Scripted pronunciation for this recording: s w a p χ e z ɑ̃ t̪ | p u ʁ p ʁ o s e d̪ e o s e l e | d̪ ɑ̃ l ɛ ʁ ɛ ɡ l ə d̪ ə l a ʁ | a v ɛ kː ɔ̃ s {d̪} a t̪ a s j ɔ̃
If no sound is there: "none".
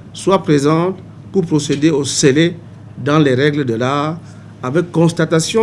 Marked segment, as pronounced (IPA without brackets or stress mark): t̪